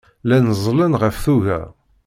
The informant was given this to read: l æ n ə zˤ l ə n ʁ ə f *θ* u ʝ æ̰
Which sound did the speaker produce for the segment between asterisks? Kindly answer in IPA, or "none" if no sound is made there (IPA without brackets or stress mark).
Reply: θ